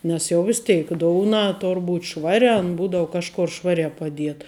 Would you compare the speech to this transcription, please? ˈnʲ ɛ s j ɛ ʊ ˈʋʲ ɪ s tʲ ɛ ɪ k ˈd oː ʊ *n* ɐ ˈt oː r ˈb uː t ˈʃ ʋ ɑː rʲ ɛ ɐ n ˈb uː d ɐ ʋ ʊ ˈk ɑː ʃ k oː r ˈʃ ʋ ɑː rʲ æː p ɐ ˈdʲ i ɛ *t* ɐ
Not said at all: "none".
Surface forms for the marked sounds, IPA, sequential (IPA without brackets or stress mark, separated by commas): n, t